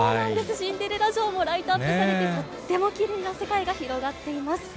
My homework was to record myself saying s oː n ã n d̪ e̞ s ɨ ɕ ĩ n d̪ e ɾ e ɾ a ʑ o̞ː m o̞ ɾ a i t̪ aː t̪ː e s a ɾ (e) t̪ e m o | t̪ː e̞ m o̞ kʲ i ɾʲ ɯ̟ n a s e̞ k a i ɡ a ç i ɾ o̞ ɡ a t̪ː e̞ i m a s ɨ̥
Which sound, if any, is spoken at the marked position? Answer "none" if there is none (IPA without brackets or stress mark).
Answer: e